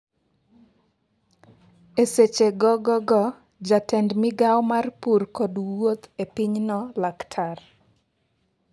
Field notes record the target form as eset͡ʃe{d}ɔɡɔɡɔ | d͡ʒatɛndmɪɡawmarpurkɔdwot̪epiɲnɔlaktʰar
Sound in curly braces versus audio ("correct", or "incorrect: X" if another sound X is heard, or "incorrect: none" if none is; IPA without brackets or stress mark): incorrect: ɡ